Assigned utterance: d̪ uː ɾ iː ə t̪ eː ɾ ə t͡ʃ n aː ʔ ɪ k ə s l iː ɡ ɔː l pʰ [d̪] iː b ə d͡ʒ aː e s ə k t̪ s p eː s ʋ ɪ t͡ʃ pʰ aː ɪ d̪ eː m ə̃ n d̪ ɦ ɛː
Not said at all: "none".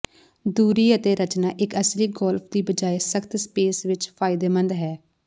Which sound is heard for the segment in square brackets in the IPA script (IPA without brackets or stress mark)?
d̪